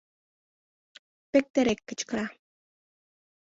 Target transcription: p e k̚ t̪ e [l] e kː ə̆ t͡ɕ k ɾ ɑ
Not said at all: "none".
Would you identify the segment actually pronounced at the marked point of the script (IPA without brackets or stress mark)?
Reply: ɾ